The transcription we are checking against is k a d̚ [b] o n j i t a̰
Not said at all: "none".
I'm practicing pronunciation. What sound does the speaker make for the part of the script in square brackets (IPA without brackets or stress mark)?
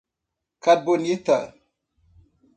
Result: b